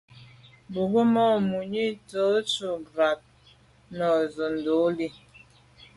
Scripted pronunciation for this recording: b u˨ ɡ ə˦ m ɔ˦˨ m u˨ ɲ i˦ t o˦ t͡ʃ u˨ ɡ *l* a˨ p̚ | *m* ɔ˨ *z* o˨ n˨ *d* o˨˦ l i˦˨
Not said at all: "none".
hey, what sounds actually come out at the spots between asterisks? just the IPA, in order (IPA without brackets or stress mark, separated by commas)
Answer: ɾ, n, z, d